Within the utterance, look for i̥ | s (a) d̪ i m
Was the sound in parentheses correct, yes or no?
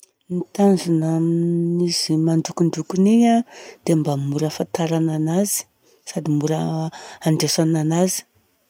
yes